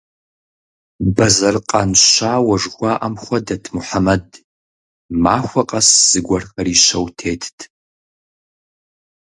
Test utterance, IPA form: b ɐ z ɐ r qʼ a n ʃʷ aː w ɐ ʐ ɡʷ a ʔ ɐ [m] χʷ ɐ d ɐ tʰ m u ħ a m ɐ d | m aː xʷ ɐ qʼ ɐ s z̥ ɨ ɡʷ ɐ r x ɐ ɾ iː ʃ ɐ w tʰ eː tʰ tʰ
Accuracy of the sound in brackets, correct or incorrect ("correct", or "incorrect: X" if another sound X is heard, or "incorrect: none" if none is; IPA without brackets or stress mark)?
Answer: correct